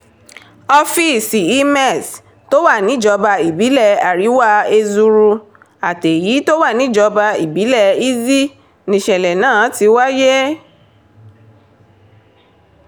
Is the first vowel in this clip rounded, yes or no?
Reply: yes